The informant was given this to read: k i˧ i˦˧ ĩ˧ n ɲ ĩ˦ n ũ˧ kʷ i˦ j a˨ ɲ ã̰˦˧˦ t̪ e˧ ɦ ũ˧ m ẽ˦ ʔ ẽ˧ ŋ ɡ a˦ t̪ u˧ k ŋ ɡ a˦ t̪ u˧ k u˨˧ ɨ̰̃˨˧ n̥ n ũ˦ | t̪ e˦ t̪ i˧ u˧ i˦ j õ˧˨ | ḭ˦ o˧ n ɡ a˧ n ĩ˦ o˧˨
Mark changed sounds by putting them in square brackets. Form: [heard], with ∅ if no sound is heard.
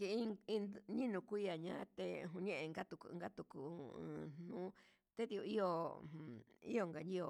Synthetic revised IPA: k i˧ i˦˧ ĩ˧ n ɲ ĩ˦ n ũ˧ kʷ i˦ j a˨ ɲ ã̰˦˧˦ t̪ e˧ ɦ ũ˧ [ɲ] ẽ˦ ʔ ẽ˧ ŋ ɡ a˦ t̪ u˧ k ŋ ɡ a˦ t̪ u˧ k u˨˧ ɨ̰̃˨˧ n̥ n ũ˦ | t̪ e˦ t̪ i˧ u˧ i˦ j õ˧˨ | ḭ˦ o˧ [ŋ] ɡ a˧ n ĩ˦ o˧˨